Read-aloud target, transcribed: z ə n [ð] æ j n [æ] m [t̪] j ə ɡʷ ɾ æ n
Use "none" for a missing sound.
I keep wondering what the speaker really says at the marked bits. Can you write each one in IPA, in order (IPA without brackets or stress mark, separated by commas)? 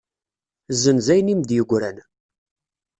z, i, d̪